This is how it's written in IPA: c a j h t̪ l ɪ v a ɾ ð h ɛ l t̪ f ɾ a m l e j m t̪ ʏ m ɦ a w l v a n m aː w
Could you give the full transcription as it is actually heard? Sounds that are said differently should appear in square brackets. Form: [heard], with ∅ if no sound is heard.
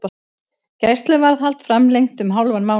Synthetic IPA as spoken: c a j [s] t̪ l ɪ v a ɾ ð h [a] l t̪ f ɾ a m l e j [ŋ] t̪ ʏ m ɦ a w l v a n m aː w